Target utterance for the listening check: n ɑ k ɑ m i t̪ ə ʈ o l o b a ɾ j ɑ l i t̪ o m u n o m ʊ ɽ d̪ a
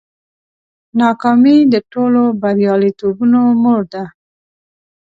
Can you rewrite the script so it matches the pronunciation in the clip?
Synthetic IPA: n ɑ k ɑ m i d̪ ə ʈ o l o b a ɾ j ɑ l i t̪ o b u n o m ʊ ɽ d̪ a